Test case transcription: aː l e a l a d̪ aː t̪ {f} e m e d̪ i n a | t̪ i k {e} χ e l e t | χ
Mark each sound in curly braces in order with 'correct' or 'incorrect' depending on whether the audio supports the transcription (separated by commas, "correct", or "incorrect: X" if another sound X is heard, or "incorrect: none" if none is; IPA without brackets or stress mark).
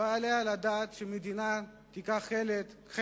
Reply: incorrect: ʃ, incorrect: a